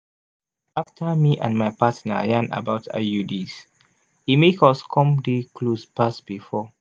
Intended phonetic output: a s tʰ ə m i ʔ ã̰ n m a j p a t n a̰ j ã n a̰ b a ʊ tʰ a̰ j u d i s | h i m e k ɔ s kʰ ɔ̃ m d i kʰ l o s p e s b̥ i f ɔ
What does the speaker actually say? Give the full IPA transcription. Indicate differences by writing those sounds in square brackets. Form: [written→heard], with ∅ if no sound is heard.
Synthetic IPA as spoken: a [s→f] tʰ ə m i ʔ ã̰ n m a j p a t n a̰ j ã n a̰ b a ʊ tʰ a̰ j u d i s | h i m e k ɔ s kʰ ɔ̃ m d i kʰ l o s p [e→a] s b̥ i f ɔ